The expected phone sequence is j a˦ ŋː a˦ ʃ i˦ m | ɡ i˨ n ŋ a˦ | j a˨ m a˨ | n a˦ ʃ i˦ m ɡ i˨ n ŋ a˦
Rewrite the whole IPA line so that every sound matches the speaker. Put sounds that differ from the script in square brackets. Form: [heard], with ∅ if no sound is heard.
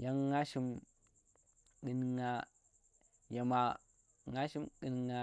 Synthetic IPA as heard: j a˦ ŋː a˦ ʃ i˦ m | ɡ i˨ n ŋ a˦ | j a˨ m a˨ | [ŋ] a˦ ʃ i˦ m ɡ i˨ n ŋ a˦